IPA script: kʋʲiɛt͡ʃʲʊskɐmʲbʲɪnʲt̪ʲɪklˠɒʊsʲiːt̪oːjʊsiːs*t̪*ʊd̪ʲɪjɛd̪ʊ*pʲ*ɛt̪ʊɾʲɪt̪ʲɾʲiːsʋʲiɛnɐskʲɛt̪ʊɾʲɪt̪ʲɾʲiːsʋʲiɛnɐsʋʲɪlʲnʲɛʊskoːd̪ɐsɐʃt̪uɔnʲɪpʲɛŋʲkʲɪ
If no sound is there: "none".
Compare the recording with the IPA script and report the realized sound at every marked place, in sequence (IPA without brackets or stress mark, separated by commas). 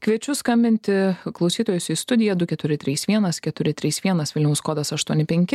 t̪, kʲ